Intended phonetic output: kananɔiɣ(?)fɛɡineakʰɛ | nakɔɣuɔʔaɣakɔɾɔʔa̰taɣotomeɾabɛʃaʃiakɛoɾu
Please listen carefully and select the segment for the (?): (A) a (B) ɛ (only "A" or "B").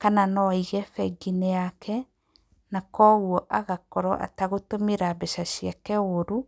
B